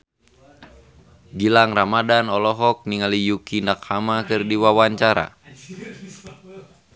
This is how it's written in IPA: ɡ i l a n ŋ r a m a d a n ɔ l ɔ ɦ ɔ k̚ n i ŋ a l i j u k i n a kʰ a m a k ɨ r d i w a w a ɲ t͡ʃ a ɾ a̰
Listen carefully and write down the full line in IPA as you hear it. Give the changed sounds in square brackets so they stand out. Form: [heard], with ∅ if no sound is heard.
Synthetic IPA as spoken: ɡ i l a [∅] ŋ r a m a d a n ɔ l ɔ ɦ ɔ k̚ n i ŋ a l i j u k i n a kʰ a m a k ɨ r d i w a w a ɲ t͡ʃ a ɾ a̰